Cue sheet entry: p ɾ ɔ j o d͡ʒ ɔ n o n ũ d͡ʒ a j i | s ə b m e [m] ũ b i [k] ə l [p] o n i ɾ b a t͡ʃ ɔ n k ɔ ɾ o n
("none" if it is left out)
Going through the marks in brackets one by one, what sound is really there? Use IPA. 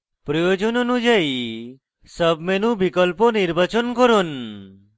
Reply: n, k, p

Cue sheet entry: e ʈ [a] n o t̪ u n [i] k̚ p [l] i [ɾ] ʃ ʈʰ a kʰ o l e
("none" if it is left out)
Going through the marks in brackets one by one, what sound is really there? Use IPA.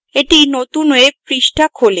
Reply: i, e, ɾ, none

